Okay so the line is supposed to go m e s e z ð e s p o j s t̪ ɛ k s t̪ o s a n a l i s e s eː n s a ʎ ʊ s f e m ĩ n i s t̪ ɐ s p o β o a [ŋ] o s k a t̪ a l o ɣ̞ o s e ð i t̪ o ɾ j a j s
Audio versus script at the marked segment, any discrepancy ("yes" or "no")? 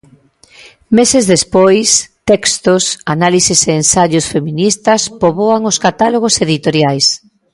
no